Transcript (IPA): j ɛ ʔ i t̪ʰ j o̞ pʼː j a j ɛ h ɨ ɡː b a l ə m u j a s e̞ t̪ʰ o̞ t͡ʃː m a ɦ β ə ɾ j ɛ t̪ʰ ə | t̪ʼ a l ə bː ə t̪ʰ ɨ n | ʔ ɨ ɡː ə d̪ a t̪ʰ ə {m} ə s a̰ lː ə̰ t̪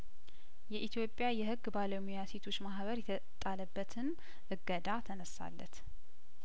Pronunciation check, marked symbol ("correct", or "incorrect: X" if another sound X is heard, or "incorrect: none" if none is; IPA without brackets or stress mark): incorrect: n